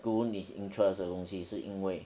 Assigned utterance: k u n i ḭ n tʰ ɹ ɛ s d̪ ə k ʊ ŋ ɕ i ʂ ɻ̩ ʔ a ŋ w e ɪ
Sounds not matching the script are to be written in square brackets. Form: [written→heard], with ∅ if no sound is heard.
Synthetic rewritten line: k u n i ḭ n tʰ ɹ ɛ s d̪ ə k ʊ ŋ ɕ i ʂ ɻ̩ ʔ [a→i] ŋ w e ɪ

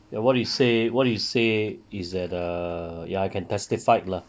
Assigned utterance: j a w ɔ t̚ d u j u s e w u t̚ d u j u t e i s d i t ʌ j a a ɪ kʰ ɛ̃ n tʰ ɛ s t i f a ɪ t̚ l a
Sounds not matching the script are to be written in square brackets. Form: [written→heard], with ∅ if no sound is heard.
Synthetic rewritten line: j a w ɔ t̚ d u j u s e w [u→ɔ] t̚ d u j u [t→s] e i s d [i→ɛ] t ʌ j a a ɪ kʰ ɛ̃ n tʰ ɛ s t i f a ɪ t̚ l a

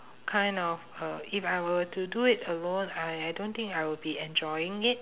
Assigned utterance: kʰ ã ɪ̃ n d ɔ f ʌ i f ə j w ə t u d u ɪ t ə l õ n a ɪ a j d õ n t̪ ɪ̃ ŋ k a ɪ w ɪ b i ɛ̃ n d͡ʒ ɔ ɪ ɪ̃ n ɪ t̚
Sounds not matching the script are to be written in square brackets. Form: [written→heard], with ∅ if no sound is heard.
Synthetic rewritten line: kʰ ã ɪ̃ n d ɔ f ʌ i f [ə→a] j w ə t u d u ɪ t ə l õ n a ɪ a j d õ n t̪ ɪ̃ ŋ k a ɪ w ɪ b i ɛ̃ n d͡ʒ ɔ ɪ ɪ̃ [n→ŋ] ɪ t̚

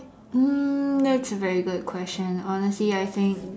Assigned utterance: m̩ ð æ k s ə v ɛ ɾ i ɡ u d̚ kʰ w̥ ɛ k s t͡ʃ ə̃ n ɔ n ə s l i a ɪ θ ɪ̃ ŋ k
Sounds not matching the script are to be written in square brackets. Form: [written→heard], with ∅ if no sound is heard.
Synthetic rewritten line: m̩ ð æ [k→t] s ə v ɛ [ɾ→ɹ] i ɡ [u→ʊ] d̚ kʰ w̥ ɛ [k→∅] s t͡ʃ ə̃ n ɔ n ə s l i a ɪ θ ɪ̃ ŋ k

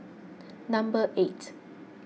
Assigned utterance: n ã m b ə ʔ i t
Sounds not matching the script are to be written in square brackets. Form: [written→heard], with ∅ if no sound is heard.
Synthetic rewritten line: n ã m b ə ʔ [i→e] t

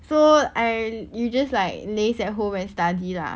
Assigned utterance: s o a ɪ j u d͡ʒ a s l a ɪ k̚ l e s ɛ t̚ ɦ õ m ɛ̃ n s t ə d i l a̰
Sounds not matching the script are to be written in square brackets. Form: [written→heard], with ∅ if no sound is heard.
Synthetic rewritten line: s o a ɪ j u d͡ʒ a s l a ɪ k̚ l e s ɛ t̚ ɦ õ m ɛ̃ n s t [ə→a] d i l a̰

